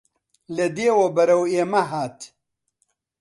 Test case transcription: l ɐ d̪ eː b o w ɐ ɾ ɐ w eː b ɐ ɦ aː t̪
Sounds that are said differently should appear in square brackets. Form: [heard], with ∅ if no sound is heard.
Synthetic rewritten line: l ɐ d̪ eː [w] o [b] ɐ ɾ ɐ w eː [m] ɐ ɦ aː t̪